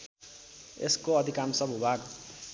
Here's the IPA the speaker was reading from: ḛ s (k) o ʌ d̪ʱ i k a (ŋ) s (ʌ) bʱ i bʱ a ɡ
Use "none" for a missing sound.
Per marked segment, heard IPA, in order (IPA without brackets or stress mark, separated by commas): k, m, ʌ